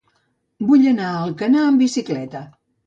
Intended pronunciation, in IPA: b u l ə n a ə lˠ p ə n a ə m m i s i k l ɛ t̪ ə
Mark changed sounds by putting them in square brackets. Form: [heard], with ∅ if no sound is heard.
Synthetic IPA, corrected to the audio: b u [ʎ] ə n a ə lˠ [k] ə n a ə m [b] i s i k l ɛ t̪ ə